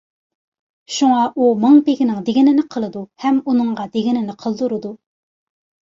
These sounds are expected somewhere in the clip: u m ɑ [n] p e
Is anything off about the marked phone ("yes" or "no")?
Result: yes